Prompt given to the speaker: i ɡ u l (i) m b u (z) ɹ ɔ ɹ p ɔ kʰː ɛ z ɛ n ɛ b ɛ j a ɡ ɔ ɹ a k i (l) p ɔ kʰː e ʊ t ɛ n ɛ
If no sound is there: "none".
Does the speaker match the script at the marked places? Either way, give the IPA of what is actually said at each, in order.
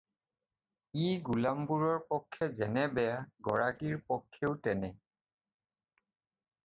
a, none, ɹ

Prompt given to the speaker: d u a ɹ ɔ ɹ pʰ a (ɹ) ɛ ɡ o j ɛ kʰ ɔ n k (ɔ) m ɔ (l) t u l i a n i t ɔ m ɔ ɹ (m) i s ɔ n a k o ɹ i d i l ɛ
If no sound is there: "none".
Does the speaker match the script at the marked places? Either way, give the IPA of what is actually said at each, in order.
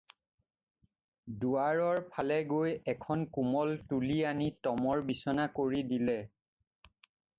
l, u, l, b

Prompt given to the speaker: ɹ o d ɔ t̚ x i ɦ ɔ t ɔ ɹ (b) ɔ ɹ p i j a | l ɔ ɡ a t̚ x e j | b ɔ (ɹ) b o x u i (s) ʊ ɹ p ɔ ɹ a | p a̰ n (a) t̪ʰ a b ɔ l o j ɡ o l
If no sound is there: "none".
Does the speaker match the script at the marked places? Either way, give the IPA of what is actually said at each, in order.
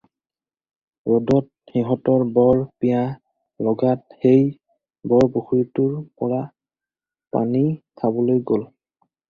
b, ɹ, t, i

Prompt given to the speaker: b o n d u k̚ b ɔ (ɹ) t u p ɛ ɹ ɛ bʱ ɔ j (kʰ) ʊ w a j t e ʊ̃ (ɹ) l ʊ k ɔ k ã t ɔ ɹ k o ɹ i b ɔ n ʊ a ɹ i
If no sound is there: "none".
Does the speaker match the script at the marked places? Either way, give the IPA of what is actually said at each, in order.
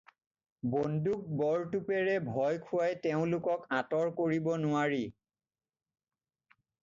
ɹ, kʰ, none

